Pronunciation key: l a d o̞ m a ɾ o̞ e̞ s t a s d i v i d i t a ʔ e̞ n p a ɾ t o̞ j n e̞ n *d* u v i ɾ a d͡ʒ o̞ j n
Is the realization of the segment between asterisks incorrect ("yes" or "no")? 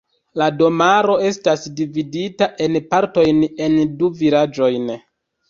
no